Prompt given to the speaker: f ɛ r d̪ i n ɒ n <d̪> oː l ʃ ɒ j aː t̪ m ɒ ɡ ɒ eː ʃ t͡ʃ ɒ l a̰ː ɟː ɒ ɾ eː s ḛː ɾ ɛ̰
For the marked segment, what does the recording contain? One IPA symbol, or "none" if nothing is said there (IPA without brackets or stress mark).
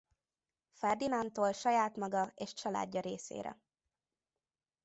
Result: t̪